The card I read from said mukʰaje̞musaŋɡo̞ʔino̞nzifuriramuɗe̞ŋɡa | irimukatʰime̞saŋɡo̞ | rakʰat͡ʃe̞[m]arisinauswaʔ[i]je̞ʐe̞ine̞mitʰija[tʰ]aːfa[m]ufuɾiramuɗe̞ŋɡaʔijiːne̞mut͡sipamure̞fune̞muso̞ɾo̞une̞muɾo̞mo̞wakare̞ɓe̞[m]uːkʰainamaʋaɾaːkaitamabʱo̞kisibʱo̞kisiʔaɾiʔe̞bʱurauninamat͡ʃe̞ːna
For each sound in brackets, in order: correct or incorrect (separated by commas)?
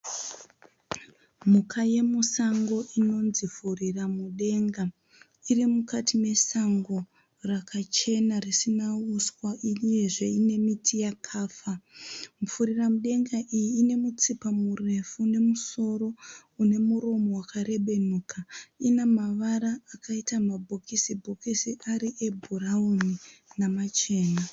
incorrect, correct, incorrect, correct, incorrect